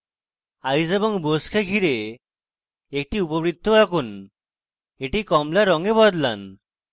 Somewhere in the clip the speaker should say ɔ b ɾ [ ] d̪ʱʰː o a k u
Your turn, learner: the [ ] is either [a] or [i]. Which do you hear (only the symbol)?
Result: i